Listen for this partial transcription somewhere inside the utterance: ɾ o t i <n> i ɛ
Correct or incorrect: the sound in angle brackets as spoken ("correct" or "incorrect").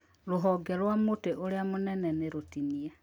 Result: correct